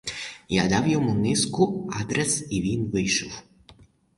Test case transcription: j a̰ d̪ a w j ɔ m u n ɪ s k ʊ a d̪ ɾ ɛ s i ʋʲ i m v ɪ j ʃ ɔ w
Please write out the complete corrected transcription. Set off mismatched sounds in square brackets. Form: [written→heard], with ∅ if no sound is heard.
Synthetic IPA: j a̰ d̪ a w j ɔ m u n ɪ s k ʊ a d̪ ɾ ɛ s i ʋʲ i [m→n] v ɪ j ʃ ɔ w